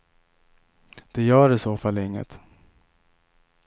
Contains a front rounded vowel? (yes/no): yes